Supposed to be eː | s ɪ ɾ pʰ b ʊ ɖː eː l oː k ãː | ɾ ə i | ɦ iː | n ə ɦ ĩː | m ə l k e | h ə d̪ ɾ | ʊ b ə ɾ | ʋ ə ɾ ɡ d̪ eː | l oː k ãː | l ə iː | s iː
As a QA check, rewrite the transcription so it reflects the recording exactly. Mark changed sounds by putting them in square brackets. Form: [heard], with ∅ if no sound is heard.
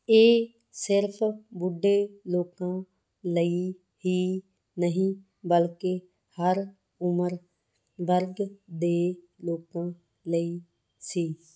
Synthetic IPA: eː | s ɪ ɾ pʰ b ʊ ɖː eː l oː k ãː | [l] ə i | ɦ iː | n ə ɦ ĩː | [b] ə l k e | h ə [∅] ɾ | ʊ [m] ə ɾ | ʋ ə ɾ ɡ d̪ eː | l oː k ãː | l ə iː | s iː

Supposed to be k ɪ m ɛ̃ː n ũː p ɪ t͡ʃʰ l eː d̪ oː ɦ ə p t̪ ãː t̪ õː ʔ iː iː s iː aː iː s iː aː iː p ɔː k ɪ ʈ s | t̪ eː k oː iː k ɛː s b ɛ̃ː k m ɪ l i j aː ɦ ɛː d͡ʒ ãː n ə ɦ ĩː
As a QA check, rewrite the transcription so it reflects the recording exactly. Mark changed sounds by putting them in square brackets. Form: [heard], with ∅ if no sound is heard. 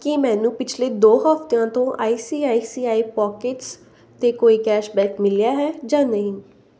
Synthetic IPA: k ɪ m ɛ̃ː n ũː p ɪ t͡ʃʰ l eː d̪ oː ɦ ə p t̪ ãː t̪ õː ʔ [aː] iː s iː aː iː s iː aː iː p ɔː k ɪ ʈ s | t̪ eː k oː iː k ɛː [ʃ] b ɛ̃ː k m ɪ l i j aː ɦ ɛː d͡ʒ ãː n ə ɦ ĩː

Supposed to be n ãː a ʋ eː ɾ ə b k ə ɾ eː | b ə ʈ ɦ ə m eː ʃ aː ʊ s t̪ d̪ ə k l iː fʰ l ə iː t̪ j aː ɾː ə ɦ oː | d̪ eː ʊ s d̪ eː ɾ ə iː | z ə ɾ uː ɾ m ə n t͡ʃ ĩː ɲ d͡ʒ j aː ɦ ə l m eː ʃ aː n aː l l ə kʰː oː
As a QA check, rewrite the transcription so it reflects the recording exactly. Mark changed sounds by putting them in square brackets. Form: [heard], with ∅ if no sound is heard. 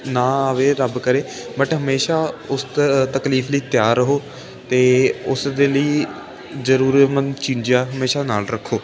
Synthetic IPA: n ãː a ʋ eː ɾ ə b k ə ɾ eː | b ə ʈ ɦ ə m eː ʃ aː ʊ s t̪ [t̪] ə k l iː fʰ l ə iː t̪ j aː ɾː ə ɦ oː | [t̪] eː ʊ s d̪ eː [l] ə iː | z ə ɾ uː ɾ m ə n t͡ʃ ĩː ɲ d͡ʒ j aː ɦ ə [∅] m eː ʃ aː n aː l [ɾ] ə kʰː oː

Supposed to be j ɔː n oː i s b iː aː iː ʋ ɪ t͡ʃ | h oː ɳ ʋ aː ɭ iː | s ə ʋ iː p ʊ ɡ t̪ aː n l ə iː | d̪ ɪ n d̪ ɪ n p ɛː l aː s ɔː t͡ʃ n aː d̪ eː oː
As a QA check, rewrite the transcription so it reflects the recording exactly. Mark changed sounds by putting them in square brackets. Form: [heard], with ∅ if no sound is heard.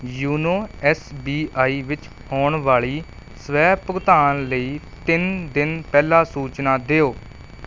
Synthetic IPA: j [uː] n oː [ɛ] s b iː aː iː ʋ ɪ t͡ʃ | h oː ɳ ʋ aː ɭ iː | s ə ʋ [ɛː] p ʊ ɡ t̪ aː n l ə iː | [t̪] ɪ n d̪ ɪ n p ɛː l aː s [uː] t͡ʃ n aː d̪ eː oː

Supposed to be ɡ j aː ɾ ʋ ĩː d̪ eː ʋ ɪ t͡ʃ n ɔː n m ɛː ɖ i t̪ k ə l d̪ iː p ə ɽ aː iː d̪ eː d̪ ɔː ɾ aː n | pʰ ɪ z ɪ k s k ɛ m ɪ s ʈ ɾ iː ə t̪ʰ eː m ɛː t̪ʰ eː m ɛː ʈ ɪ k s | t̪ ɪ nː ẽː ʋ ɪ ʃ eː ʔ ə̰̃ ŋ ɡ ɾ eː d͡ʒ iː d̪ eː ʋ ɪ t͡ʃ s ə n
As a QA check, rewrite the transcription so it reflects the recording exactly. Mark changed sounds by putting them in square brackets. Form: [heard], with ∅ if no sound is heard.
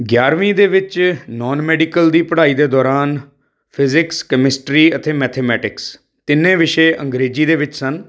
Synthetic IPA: ɡ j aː ɾ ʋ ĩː d̪ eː ʋ ɪ t͡ʃ n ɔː n m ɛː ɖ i [∅] k ə l d̪ iː p ə ɽ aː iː d̪ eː d̪ ɔː ɾ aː n | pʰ ɪ z ɪ k s k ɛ m ɪ s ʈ ɾ iː ə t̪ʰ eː m ɛː t̪ʰ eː m ɛː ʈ ɪ k s | t̪ ɪ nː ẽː ʋ ɪ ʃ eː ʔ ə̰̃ ŋ ɡ ɾ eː d͡ʒ iː d̪ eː ʋ ɪ t͡ʃ s ə n

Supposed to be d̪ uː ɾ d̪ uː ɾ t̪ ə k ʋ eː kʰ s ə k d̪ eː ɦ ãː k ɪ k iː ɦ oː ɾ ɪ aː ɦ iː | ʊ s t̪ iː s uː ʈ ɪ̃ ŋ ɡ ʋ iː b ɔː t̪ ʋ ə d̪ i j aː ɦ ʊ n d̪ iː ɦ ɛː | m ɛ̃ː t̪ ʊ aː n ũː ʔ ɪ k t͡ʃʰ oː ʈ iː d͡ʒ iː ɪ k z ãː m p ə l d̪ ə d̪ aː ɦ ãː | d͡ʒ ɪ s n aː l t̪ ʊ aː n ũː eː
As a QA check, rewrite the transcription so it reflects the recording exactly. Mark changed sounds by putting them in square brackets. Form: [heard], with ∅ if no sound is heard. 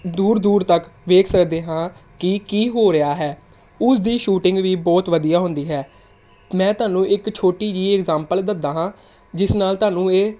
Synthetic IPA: d̪ uː ɾ d̪ uː ɾ t̪ ə k ʋ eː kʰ s ə k d̪ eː ɦ ãː k ɪ k iː ɦ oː ɾ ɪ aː ɦ [ɛː] | ʊ s [d̪] iː [ʃ] uː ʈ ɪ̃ ŋ ɡ ʋ iː b ɔː t̪ ʋ ə d̪ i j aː ɦ ʊ n d̪ iː ɦ ɛː | m ɛ̃ː t̪ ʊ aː n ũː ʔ ɪ k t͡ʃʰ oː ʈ iː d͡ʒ iː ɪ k z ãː m p ə l d̪ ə d̪ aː ɦ ãː | d͡ʒ ɪ s n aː l t̪ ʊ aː n ũː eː

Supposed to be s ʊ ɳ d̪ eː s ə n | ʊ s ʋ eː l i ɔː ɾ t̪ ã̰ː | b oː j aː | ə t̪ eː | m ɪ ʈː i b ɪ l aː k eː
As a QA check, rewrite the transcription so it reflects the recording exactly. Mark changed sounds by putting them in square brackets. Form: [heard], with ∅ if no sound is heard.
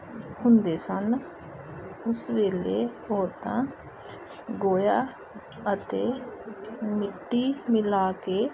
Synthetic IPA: [h] ʊ [n] d̪ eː s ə n | ʊ s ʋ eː l [e] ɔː ɾ t̪ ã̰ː | [ɡ] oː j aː | ə t̪ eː | m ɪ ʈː i [m] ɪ l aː k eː

